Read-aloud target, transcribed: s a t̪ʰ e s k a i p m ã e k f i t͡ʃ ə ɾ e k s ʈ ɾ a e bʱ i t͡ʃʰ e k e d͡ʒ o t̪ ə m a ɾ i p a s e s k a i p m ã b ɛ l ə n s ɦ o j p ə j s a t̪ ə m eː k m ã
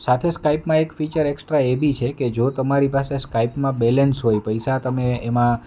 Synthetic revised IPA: s a t̪ʰ e s k a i p m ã e k f i t͡ʃ ə ɾ e k s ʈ ɾ a e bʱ i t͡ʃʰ e k e d͡ʒ o t̪ ə m a ɾ i p a s e s k a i p m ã b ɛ l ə n s ɦ o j p ə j s a t̪ ə m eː m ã